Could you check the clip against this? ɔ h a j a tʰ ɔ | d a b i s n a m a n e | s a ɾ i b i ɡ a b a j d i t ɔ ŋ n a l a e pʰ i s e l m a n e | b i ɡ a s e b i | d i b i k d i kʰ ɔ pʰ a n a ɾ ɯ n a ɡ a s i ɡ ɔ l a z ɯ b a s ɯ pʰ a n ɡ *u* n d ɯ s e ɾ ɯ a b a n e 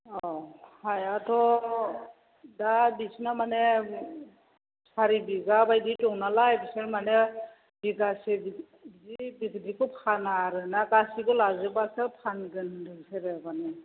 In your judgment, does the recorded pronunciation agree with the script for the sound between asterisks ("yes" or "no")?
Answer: no